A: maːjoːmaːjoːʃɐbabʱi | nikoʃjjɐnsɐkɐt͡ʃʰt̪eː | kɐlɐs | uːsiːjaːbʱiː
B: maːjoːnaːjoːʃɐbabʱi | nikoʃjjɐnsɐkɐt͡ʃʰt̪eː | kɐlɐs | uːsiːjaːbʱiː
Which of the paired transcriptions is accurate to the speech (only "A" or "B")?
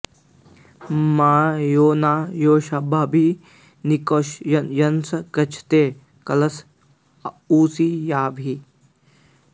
B